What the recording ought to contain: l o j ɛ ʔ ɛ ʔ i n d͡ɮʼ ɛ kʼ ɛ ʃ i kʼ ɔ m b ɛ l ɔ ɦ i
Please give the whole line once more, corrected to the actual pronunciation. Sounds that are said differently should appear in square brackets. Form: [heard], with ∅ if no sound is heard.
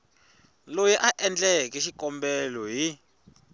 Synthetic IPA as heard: l o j ɛ ʔ [a] ʔ [ɛ] n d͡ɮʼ ɛ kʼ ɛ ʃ i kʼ ɔ m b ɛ l ɔ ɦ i